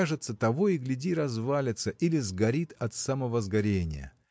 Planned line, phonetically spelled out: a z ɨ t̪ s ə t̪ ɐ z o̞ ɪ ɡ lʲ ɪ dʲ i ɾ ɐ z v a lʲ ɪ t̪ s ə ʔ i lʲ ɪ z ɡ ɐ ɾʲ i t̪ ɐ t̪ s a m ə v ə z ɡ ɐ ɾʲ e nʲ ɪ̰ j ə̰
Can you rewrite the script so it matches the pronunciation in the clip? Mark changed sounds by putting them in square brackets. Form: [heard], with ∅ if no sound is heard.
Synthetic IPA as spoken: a [ʐ] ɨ t̪ s ə t̪ ɐ [v] o̞ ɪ ɡ lʲ ɪ dʲ i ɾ ɐ z v a lʲ ɪ t̪ s ə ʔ i lʲ ɪ z ɡ ɐ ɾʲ i t̪ ɐ t̪ s a m ə v ə z ɡ ɐ ɾʲ e nʲ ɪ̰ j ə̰

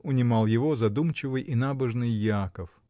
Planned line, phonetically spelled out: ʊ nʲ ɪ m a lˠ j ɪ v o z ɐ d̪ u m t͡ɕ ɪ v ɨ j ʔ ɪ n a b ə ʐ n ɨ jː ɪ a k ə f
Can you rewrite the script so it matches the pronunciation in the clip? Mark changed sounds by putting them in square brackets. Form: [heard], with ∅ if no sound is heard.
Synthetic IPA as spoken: ʊ nʲ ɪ m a lˠ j ɪ v o z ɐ d̪ u m t͡ɕ ɪ v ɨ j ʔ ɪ n a b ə ʐ n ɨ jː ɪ a k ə f

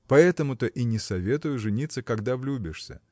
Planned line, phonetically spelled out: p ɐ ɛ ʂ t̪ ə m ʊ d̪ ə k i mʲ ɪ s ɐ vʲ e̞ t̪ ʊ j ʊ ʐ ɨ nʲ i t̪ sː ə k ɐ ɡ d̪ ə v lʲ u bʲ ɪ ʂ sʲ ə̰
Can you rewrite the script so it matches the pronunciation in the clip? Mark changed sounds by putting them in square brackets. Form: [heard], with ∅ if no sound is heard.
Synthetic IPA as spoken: p ɐ ɛ [∅] t̪ ə m ʊ [t̪] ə [ʔ] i [nʲ] ɪ s ɐ vʲ e̞ t̪ ʊ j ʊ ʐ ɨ nʲ i t̪ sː ə k ɐ ɡ d̪ [a] v lʲ u bʲ ɪ ʂ sʲ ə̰

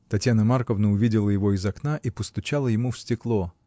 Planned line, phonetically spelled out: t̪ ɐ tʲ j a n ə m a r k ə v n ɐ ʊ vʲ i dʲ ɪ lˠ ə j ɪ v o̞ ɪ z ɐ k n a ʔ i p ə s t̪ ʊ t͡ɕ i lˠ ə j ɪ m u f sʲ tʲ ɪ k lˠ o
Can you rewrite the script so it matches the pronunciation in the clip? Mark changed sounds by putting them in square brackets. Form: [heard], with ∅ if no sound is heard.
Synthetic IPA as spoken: t̪ ɐ tʲ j a n ə m a r k ə v n [ə] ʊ vʲ i dʲ ɪ lˠ ə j ɪ v o̞ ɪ z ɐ k n a ʔ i p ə s t̪ ʊ t͡ɕ [a] lˠ ə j ɪ m u f sʲ tʲ ɪ k lˠ o

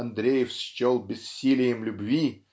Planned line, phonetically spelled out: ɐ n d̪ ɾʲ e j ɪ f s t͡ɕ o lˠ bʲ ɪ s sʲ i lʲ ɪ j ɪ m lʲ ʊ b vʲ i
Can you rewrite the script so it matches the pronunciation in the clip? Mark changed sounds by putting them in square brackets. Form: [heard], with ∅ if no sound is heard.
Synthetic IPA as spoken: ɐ n d̪ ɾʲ e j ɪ f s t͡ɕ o lˠ bʲ ɪ s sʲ i lʲ ɪ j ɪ m lʲ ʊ b vʲ i

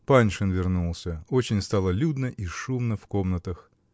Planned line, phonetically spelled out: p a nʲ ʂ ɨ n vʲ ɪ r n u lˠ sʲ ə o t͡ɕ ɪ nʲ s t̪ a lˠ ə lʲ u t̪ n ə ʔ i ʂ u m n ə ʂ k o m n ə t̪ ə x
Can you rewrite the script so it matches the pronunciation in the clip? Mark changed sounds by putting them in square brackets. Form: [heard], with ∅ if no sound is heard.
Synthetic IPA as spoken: p a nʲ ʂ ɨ n vʲ ɪ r n u lˠ sʲ ə o t͡ɕ ɪ nʲ s t̪ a lˠ ə lʲ u [d̪] n ə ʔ i ʂ u m n ə [f] k o m n ə t̪ ə x

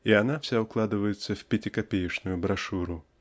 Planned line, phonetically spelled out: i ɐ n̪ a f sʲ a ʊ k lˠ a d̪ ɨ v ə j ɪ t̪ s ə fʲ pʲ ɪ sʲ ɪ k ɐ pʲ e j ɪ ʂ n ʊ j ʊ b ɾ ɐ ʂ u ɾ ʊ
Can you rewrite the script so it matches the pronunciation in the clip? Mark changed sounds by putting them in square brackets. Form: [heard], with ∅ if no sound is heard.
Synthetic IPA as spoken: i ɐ n̪ a f sʲ a ʊ k lˠ a d̪ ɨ v ə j ɪ t̪ s ə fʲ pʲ ɪ [tʲ] ɪ k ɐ pʲ e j ɪ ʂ n ʊ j ʊ b ɾ ɐ ʂ u ɾ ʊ

